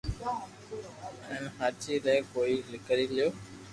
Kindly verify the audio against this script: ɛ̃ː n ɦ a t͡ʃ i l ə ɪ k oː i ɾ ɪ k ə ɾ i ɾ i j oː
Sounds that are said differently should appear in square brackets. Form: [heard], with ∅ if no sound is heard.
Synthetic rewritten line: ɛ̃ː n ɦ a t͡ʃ i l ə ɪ k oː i [l] ɪ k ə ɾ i [l] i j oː